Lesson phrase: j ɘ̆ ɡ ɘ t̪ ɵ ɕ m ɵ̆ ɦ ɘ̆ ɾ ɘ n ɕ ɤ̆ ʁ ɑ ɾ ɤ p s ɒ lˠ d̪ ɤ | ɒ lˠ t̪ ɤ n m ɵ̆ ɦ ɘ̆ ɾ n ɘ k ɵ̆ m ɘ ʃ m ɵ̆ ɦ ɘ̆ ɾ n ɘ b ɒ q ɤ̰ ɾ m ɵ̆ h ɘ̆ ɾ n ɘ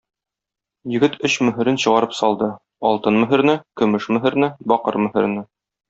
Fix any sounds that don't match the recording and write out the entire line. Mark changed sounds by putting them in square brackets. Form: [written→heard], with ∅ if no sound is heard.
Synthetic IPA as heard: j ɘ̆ ɡ ɘ t̪ ɵ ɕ m ɵ̆ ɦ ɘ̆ ɾ ɘ n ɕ ɤ̆ ʁ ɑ ɾ ɤ p s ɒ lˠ d̪ ɤ | ɒ lˠ t̪ ɤ n m ɵ̆ ɦ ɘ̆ ɾ n ɘ k ɵ̆ m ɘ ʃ m ɵ̆ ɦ ɘ̆ ɾ n ɘ b ɒ q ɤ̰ ɾ m ɵ̆ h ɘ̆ ɾ n ɘ